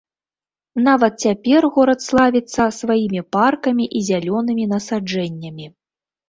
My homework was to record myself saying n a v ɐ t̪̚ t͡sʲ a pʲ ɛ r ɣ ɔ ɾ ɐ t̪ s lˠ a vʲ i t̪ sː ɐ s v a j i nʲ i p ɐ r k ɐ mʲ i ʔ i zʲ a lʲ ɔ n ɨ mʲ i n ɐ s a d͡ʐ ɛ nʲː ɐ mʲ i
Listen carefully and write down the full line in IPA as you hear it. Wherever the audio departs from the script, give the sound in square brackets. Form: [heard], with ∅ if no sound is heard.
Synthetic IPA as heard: n a v ɐ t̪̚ t͡sʲ a pʲ ɛ r ɣ ɔ ɾ ɐ t̪ s lˠ a vʲ i t̪ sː ɐ s v a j i [mʲ] i p [a] r k ɐ mʲ i ʔ i zʲ a lʲ ɔ n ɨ mʲ i n ɐ s a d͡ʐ ɛ nʲː ɐ mʲ i